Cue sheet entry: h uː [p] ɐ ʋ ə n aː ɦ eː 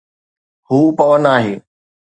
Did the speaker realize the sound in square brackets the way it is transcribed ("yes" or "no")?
yes